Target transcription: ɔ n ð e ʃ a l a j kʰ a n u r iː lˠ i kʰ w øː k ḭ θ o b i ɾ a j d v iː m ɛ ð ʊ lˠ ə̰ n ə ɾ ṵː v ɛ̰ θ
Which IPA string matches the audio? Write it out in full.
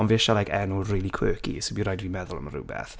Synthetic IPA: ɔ n v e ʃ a l a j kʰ ɛ n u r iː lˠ i kʰ w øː k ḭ s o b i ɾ a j d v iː m ɛ ð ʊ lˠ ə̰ m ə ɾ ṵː b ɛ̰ θ